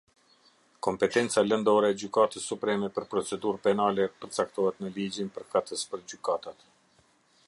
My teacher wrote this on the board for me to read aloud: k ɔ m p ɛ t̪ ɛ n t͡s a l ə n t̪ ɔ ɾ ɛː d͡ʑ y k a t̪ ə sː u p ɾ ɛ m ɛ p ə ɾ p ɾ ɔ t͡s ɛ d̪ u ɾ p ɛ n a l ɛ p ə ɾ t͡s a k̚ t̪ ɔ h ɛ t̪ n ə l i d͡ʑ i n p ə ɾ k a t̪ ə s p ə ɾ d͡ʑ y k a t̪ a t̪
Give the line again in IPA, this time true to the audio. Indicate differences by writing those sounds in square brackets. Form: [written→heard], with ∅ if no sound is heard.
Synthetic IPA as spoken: k ɔ m p ɛ t̪ ɛ n t͡s a l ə n [t̪→d̪] ɔ ɾ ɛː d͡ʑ y k a t̪ ə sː u p ɾ ɛ m ɛ p ə ɾ p ɾ ɔ t͡s ɛ d̪ u ɾ p ɛ n a l ɛ p ə ɾ t͡s a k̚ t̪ ɔ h ɛ t̪ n ə l i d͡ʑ i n p ə ɾ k a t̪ ə s p ə ɾ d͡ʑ y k a t̪ a t̪

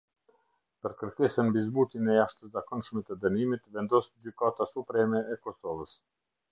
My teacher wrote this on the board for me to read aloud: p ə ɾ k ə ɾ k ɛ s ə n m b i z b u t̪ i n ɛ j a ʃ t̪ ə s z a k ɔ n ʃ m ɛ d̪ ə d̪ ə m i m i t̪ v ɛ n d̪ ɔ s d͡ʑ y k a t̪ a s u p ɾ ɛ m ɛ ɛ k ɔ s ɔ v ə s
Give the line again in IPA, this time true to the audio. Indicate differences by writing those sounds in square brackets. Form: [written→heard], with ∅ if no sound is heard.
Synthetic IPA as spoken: p ə ɾ k ə ɾ k ɛ s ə n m b i z b u t̪ i n ɛ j a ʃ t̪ ə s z a k ɔ n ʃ m ɛ [d̪→t̪] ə d̪ ə [m→n] i m i t̪ v ɛ n d̪ ɔ s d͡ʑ y k a t̪ a s u p ɾ ɛ m ɛ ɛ k ɔ s ɔ v ə s

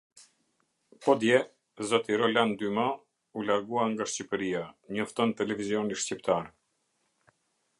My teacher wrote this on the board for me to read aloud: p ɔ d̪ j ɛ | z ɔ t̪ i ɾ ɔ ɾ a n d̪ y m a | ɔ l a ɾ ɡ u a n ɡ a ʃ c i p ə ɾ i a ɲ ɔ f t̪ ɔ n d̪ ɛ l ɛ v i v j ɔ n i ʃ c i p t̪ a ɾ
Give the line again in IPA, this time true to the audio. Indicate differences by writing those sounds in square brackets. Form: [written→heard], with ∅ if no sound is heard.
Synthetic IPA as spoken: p ɔ d̪ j ɛ | z ɔ t̪ i ɾ ɔ [ɾ→l] a n d̪ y m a | [ɔ→u] l a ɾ ɡ u a [n→ŋ] ɡ a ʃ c i p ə ɾ i a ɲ ɔ f t̪ ɔ n [d̪→t̪] ɛ l ɛ v i [v→z] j ɔ n i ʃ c i p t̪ a ɾ

